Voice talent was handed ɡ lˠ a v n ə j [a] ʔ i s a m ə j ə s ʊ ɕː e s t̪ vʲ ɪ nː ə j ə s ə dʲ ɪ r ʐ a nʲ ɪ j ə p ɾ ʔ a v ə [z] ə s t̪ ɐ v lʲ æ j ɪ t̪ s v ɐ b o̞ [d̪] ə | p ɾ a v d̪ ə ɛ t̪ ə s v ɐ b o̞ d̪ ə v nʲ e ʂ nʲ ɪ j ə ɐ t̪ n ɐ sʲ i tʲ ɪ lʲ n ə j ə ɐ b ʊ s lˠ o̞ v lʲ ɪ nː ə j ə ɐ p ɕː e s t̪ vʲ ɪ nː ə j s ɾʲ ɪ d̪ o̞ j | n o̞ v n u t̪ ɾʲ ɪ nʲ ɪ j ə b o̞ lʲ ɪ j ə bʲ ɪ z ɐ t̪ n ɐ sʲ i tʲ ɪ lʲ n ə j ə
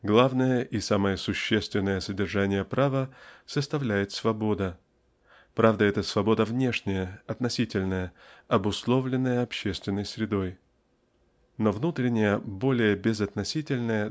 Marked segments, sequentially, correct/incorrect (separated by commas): incorrect, incorrect, correct